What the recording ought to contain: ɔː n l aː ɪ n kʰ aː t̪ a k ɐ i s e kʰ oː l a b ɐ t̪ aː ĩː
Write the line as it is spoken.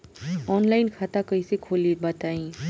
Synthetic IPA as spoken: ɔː n l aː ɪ n kʰ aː t̪ a k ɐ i s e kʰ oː l i b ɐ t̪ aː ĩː